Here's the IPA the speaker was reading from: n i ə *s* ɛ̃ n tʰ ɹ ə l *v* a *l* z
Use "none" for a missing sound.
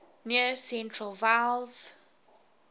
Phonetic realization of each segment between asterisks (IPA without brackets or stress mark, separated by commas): s, v, l